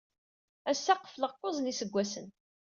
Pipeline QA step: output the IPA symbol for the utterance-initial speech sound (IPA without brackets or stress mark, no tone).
æ